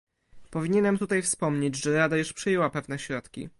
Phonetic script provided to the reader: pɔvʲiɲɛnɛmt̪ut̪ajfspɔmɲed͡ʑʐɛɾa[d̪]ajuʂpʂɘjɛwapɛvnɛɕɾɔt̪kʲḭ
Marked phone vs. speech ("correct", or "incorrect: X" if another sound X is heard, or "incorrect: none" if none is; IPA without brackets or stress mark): correct